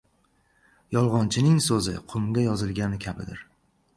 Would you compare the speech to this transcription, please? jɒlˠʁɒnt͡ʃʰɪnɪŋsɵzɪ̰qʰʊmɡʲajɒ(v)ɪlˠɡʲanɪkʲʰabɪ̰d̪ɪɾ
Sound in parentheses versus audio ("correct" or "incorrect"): incorrect